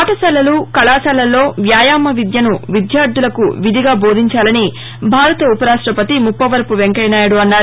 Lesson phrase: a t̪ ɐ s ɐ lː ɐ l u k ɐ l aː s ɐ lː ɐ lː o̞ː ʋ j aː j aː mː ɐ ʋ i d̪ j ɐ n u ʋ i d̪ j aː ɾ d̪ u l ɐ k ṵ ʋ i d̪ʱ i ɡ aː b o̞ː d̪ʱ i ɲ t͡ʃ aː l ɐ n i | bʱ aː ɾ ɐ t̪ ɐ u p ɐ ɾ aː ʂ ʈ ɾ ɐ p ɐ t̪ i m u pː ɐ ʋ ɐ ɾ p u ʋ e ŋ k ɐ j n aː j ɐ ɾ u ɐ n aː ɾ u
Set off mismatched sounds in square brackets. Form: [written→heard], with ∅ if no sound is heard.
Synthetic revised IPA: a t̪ ɐ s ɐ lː ɐ l u k ɐ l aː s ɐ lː ɐ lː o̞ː ʋ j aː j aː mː ɐ ʋ i d̪ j ɐ n u ʋ i d̪ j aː ɾ d̪ u l ɐ k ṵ ʋ i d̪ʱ i ɡ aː b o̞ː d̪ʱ i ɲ t͡ʃ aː l ɐ n i | bʱ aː ɾ ɐ t̪ ɐ u p ɐ ɾ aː ʂ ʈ ɾ ɐ p ɐ t̪ i m u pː ɐ ʋ ɐ ɾ p u ʋ e ŋ k ɐ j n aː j ɐ [ɾ→ɽ] u ɐ [n→nː] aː ɾ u